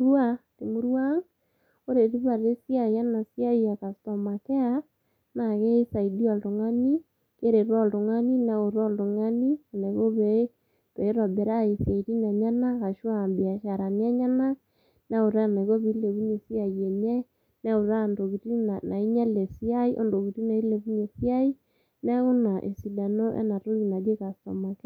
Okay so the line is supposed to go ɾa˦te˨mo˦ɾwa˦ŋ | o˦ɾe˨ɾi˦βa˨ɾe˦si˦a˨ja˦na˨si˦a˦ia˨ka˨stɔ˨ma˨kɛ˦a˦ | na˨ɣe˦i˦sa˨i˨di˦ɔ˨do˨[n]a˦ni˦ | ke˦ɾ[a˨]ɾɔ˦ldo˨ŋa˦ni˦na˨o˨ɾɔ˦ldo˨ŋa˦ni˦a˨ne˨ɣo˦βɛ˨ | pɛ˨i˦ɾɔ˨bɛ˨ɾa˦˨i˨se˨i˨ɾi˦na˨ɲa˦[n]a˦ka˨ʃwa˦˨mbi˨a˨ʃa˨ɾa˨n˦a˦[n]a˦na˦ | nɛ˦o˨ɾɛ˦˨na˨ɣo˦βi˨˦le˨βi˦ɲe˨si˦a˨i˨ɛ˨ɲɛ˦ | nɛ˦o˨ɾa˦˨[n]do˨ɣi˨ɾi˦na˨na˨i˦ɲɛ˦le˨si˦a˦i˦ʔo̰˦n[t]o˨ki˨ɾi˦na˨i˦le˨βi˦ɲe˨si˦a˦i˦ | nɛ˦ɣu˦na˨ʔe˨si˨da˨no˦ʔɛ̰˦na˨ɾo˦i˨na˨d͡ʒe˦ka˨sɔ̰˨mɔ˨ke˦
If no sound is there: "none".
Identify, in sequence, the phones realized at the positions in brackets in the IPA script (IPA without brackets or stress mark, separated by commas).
ŋ, e˨, n, ɲ, n, d